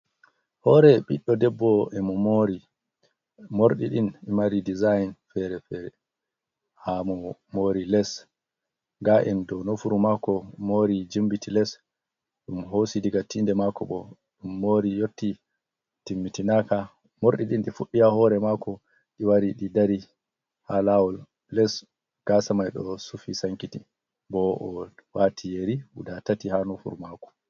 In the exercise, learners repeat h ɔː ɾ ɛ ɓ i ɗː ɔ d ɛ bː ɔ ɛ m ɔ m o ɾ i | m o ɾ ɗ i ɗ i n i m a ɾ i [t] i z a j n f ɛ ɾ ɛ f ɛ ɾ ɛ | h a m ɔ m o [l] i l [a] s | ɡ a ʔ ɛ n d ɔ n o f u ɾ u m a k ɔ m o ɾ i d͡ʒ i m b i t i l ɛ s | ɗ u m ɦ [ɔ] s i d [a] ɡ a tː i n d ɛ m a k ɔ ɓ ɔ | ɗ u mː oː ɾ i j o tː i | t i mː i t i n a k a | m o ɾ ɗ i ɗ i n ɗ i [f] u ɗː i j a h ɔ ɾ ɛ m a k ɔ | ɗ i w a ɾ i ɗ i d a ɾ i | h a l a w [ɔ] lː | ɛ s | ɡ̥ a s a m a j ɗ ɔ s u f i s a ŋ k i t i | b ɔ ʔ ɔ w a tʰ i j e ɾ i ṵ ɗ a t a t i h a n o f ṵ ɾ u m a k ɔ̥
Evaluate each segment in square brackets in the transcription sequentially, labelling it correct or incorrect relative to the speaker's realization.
incorrect, incorrect, incorrect, incorrect, incorrect, correct, correct

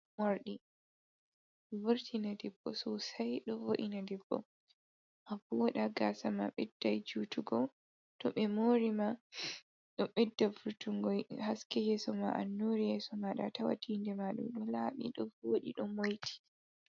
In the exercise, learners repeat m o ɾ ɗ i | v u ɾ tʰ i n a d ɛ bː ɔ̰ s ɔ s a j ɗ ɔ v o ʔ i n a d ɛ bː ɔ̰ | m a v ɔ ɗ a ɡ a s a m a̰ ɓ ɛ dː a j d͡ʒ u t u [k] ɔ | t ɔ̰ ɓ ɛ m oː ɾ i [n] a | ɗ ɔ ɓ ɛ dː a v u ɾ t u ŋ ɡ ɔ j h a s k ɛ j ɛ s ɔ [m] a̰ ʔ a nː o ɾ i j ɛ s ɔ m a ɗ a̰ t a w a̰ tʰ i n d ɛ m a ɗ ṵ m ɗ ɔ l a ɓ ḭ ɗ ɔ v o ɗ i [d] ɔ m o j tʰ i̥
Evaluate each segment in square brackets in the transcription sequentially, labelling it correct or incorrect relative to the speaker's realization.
incorrect, incorrect, correct, incorrect

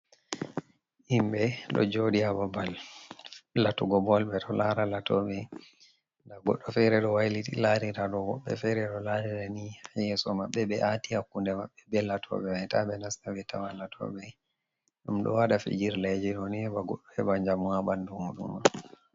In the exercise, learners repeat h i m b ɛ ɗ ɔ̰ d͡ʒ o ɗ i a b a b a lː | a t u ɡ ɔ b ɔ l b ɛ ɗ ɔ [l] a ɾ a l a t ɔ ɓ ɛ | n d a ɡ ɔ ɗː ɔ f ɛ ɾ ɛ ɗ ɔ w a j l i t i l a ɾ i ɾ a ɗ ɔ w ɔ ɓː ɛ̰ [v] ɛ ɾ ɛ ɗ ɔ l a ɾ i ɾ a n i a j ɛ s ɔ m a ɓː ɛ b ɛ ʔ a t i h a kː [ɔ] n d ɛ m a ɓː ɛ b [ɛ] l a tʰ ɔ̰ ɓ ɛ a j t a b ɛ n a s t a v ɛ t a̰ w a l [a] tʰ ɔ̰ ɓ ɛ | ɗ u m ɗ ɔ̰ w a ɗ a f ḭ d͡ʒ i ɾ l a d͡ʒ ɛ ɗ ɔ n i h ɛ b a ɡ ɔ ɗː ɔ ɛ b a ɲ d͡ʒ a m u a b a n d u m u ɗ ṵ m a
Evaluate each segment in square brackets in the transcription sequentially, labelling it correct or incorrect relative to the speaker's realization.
correct, incorrect, incorrect, correct, correct

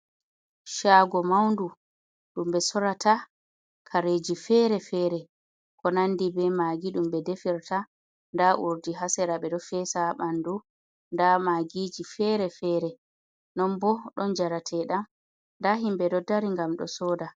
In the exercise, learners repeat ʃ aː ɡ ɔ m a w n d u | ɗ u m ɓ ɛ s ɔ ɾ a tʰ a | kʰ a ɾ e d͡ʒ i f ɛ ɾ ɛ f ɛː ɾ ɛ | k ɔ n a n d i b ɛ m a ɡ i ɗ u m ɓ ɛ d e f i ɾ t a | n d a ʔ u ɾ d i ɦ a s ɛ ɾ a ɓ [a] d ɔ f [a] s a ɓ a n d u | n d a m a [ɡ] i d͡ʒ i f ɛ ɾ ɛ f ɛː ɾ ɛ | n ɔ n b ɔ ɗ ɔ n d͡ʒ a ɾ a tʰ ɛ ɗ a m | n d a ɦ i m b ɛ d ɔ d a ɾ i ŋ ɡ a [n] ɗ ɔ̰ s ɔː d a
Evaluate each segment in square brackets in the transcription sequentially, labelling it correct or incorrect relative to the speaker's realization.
incorrect, incorrect, correct, incorrect

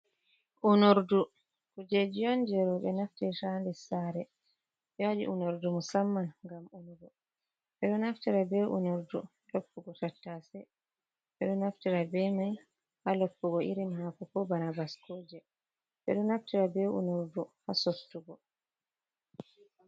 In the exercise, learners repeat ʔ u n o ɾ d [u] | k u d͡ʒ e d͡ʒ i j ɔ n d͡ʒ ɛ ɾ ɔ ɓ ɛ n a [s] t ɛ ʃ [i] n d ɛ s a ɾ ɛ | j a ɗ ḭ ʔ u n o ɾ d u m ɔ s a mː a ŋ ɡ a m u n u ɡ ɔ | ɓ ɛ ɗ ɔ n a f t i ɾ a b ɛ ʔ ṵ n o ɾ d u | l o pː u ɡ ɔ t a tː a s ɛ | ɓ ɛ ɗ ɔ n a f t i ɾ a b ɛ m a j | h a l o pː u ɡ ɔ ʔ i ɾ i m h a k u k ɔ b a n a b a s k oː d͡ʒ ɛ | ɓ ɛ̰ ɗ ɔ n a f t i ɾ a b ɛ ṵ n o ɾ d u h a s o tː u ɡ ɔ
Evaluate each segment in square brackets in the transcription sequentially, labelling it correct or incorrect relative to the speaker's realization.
correct, incorrect, incorrect

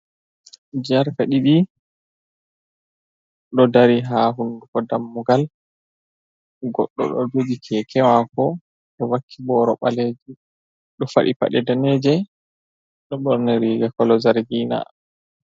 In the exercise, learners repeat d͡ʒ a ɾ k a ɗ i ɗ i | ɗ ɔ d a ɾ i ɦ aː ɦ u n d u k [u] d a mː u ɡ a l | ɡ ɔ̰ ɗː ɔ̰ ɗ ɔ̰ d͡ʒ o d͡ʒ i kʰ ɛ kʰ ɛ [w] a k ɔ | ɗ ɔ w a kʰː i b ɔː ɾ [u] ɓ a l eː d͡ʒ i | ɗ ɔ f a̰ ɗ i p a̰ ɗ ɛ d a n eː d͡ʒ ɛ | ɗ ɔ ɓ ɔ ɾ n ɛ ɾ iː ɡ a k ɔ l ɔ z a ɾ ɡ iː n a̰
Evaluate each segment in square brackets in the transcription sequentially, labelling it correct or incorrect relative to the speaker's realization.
incorrect, correct, incorrect

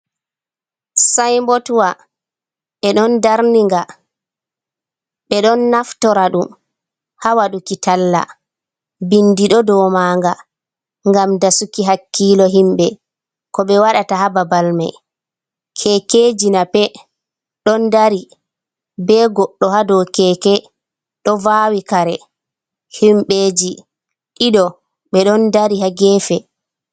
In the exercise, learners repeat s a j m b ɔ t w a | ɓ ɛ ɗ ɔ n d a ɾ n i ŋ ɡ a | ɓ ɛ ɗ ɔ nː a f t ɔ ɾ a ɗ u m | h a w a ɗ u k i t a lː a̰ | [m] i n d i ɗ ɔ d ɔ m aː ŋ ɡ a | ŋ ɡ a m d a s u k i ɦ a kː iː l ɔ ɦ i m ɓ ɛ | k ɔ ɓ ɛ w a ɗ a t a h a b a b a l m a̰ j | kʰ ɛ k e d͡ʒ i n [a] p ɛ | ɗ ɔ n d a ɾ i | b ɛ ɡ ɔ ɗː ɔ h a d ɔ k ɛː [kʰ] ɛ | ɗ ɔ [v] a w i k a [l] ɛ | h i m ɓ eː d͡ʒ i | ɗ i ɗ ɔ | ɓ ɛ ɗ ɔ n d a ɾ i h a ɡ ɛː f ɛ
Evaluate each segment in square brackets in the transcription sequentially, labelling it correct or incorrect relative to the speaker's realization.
incorrect, correct, incorrect, correct, incorrect

